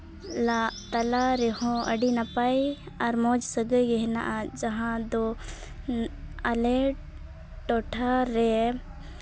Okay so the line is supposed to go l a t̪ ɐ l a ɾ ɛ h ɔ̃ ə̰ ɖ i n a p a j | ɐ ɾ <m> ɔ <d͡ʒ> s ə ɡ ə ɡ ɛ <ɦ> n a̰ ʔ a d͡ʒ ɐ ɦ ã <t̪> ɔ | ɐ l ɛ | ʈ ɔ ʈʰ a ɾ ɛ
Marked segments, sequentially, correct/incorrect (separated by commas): correct, correct, correct, incorrect